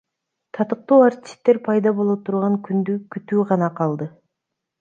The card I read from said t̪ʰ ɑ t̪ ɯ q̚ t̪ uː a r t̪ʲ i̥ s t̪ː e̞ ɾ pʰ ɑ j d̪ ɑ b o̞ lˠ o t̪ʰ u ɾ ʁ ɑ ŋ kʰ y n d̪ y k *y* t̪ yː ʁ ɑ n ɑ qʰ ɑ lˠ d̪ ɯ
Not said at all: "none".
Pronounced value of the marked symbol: y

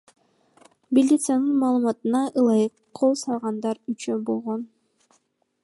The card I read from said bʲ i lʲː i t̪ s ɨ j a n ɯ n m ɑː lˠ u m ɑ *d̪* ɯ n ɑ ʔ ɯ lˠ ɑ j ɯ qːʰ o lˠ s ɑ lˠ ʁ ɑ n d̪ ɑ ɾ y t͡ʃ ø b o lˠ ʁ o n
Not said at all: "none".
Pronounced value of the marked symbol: t̪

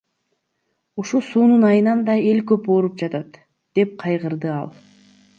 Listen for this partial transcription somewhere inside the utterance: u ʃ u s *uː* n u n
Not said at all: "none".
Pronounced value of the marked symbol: uː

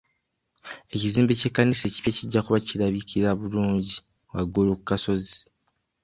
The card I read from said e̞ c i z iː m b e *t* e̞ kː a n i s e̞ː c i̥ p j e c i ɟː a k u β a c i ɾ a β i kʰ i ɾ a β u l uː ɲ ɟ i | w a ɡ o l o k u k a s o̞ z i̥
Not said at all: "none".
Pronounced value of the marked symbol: c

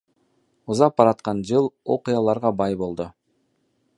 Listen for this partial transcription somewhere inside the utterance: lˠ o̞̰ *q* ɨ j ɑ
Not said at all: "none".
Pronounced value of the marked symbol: q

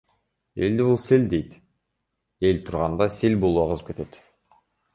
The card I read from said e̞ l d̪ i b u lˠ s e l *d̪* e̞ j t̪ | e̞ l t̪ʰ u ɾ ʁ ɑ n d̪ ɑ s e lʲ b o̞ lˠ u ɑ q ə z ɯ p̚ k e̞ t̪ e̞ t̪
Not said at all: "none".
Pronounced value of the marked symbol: d̪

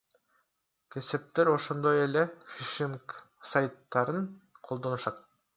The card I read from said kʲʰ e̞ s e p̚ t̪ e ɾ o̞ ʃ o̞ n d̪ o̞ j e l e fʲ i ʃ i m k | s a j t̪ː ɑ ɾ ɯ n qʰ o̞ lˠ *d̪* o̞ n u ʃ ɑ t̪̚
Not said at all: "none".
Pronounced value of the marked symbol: d̪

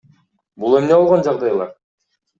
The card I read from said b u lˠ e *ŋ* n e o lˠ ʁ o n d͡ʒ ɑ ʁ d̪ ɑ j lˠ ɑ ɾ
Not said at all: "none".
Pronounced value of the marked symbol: m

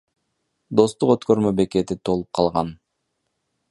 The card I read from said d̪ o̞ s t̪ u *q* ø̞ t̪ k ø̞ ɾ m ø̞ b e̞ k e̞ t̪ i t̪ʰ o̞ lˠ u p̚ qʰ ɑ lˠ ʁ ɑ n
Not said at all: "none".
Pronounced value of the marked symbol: q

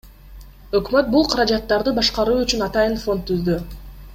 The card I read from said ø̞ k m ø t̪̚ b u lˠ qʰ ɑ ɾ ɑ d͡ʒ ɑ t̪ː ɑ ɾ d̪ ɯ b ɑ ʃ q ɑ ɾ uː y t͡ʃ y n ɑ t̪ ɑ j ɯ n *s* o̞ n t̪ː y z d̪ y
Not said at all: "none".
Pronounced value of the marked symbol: f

